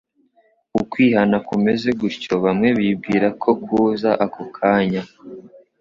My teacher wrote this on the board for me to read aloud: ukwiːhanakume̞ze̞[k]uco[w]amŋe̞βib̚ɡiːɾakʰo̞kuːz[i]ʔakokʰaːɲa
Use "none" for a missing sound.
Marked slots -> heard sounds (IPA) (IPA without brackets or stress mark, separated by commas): ɡ, β, a